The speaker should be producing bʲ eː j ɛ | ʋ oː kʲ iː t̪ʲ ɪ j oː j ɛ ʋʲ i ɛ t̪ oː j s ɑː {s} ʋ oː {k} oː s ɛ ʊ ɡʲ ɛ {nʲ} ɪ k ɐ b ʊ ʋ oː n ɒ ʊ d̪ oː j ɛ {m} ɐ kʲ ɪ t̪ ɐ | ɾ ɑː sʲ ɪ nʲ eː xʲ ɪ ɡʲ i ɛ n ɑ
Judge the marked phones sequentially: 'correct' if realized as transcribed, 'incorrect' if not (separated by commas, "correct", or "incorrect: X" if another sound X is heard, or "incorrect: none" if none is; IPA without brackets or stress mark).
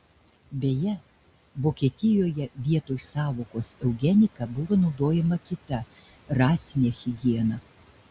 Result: incorrect: none, correct, correct, correct